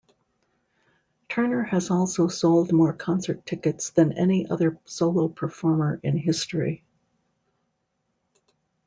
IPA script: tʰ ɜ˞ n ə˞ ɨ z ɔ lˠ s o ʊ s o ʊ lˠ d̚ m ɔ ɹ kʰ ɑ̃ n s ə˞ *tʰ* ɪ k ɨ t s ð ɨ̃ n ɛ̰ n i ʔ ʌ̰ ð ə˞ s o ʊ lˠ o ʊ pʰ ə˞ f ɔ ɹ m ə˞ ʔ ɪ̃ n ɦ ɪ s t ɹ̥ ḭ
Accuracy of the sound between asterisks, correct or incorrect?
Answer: correct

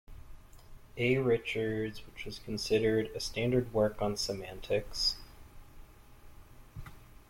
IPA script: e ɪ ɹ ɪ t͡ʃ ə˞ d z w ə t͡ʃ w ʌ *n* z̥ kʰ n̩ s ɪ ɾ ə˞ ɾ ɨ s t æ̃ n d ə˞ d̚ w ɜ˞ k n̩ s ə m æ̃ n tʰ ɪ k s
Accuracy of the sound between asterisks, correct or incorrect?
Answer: incorrect: none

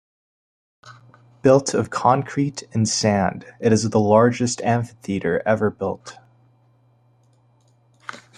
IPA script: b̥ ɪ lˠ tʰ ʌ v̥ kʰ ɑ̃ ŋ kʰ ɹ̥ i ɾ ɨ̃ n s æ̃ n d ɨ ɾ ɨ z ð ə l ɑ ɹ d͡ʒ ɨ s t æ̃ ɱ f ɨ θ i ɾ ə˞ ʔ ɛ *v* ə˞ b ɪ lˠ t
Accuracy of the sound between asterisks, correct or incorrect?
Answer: correct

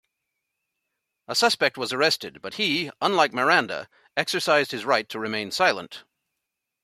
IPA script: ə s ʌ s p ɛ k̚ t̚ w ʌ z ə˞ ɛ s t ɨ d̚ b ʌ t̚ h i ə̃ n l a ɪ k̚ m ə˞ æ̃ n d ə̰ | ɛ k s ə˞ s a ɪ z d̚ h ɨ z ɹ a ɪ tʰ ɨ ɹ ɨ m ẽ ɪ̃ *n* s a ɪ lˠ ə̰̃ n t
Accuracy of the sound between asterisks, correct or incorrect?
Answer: correct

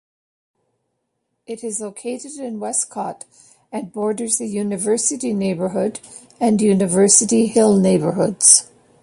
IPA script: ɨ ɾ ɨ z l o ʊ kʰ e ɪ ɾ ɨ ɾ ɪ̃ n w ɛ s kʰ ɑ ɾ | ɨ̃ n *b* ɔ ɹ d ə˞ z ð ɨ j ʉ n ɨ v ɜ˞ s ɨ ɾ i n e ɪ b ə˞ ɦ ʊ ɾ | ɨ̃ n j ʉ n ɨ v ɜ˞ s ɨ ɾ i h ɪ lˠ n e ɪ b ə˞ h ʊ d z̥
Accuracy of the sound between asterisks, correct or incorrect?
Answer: correct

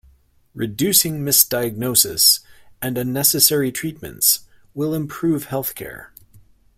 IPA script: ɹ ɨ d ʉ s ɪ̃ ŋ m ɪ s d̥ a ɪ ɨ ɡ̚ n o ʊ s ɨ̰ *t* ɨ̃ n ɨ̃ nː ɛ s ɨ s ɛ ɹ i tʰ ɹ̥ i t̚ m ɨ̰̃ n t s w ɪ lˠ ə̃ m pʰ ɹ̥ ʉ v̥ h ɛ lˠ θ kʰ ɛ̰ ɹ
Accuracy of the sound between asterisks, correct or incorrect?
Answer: incorrect: s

